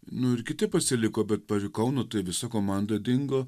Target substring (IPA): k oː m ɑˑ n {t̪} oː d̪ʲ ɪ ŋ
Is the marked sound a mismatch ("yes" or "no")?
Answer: yes